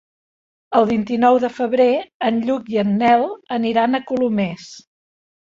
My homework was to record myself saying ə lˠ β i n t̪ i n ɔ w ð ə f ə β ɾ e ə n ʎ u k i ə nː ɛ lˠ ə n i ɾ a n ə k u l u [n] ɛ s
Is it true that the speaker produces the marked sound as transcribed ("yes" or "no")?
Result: no